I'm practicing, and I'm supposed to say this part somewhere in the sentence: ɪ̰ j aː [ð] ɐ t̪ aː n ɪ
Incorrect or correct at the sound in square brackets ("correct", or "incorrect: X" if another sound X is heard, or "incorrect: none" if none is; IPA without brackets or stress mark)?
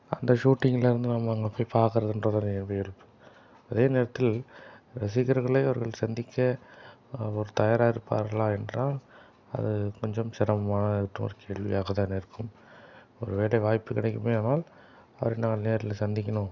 incorrect: ɣ